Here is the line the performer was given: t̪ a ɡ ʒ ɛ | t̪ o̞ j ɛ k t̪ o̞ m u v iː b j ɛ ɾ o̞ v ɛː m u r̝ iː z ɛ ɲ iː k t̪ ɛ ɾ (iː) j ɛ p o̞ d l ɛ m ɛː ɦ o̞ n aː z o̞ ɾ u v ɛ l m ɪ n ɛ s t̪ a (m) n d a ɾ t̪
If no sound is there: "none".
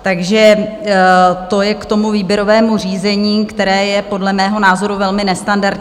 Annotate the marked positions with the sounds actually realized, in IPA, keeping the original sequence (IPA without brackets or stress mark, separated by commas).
ɛː, none